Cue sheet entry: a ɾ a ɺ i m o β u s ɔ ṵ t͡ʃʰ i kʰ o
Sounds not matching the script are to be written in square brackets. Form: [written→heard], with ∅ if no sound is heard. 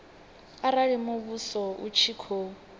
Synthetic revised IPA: a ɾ a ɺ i m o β u s ɔ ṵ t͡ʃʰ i kʰ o